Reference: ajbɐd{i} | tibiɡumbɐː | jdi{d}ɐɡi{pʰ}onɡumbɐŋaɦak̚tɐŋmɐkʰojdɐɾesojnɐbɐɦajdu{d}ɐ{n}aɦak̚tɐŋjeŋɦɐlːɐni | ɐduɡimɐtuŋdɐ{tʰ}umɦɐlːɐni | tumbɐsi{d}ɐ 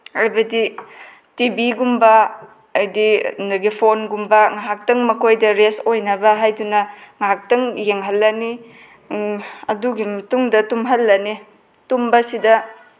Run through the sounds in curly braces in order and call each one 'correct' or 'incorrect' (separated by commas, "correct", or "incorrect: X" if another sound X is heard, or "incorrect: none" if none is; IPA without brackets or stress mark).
correct, incorrect: n, correct, incorrect: n, incorrect: ŋ, incorrect: t, correct